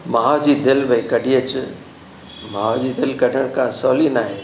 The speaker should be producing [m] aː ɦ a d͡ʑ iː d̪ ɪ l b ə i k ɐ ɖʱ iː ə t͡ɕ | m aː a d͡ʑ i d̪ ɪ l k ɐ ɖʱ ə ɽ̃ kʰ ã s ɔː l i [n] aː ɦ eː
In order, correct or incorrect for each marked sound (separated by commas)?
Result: correct, correct